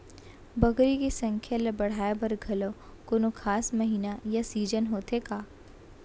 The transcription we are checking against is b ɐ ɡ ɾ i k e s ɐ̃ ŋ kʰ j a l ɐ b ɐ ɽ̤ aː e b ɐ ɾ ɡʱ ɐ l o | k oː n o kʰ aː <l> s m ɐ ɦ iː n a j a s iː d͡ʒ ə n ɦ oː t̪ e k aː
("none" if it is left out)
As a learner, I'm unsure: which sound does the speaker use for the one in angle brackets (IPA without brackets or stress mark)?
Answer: none